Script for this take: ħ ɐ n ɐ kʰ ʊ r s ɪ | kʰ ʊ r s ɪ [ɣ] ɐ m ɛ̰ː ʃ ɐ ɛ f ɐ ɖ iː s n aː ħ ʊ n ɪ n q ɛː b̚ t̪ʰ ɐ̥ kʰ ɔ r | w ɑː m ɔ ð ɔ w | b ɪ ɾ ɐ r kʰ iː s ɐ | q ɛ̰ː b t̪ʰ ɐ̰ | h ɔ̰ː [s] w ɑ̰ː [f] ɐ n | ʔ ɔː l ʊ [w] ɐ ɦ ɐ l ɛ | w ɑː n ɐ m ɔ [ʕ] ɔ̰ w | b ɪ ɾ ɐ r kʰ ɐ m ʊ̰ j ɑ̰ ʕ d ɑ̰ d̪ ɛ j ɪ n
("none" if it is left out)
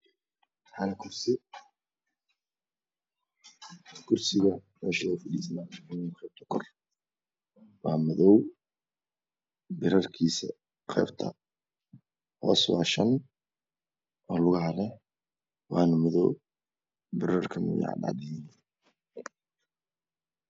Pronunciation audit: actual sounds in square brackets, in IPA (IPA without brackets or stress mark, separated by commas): ɣ, s, ʃ, ɣ, ð